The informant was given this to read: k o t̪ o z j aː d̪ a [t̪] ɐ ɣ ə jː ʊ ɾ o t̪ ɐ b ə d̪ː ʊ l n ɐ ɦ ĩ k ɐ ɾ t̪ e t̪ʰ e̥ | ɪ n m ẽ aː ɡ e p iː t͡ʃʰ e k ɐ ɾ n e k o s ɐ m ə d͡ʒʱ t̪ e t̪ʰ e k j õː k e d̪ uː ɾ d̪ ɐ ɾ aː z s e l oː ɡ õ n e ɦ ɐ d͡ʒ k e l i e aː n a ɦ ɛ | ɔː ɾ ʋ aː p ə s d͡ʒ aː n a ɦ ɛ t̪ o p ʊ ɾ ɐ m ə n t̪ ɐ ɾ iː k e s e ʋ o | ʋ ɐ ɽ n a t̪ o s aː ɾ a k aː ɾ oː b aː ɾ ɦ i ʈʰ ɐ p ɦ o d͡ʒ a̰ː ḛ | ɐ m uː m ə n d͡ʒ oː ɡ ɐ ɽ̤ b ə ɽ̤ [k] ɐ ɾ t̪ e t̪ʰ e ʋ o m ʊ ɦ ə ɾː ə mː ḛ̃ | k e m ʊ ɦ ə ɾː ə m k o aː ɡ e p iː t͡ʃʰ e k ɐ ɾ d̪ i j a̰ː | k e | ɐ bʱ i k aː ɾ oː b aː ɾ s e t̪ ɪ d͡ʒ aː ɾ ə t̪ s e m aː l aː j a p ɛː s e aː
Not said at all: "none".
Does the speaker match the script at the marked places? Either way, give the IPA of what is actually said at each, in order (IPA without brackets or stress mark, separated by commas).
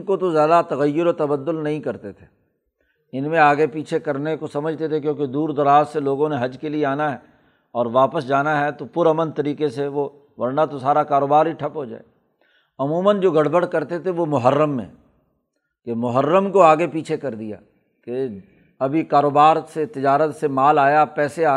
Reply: t̪, k